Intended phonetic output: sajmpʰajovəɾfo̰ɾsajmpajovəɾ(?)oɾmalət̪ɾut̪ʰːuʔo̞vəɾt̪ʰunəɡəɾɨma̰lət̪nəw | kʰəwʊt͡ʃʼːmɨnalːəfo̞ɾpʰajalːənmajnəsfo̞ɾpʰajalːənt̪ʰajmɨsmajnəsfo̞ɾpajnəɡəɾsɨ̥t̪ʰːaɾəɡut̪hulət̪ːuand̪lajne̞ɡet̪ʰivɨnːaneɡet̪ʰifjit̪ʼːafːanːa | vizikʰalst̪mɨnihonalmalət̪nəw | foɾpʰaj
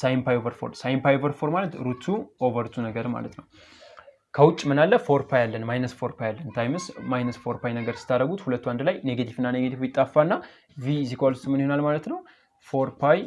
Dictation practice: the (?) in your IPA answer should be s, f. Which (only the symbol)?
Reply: f